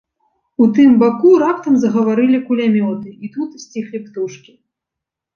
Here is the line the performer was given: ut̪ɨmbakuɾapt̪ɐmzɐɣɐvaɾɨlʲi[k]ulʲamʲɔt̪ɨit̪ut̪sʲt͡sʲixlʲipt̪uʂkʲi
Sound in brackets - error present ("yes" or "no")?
no